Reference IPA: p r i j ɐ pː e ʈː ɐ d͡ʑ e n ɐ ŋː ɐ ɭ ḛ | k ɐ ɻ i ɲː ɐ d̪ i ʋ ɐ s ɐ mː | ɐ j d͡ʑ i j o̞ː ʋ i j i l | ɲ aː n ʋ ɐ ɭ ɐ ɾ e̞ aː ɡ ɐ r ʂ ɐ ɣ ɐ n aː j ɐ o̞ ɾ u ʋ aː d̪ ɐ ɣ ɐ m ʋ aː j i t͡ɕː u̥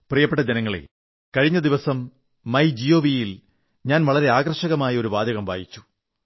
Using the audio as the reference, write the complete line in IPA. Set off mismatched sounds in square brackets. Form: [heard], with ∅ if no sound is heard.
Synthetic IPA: p r i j ɐ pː e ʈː ɐ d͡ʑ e n ɐ ŋː ɐ ɭ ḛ | k ɐ ɻ i ɲː ɐ d̪ i ʋ ɐ s ɐ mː | ɐ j d͡ʑ i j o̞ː ʋ i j i l | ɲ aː n ʋ ɐ ɭ ɐ ɾ e̞ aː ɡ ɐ r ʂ ɐ ɣ ɐ [m] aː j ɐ o̞ ɾ u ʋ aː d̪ ɐ ɣ ɐ m ʋ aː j i t͡ɕː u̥